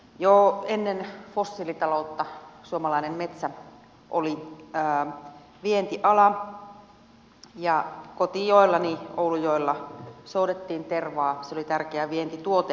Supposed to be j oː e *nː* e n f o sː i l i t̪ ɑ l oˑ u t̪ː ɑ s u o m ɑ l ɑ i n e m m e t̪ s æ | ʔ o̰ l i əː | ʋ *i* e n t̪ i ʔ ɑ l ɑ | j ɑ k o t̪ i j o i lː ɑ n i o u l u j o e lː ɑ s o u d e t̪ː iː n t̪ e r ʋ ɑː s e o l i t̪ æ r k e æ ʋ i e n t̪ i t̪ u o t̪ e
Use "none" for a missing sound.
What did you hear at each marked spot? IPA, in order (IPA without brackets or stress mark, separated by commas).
nː, i